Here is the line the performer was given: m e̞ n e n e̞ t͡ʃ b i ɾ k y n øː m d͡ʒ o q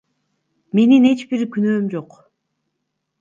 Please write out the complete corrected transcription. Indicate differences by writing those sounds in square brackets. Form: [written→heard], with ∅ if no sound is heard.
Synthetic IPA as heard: m e̞ n [e→i] n e̞ t͡ʃ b i ɾ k y n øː m d͡ʒ o q